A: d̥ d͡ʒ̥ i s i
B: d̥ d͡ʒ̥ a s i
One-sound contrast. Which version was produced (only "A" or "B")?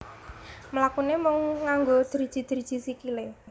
A